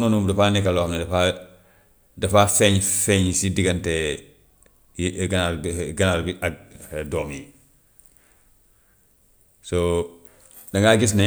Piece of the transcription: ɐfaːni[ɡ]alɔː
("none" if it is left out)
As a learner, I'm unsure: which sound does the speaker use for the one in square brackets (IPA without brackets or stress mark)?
k